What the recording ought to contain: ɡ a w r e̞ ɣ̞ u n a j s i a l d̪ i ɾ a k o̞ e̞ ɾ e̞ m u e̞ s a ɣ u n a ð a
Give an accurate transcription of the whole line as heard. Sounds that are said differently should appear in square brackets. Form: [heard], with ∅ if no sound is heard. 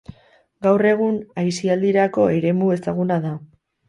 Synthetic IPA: ɡ a w r e̞ ɣ̞ u n a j s i a l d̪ i ɾ a k o̞ e̞ ɾ e̞ m u e̞ s a ɣ u n a ð a